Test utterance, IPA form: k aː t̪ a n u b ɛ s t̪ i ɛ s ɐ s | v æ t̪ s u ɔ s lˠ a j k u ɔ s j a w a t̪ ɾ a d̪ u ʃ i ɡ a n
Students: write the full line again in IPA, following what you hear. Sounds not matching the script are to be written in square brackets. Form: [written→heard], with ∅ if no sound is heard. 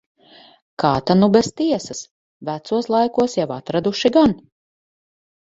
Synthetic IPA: k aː t̪ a n u b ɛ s t̪ i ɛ s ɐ s | v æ t̪ s u ɔ s lˠ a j k u ɔ s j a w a t̪ ɾ a d̪ u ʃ i ɡ a n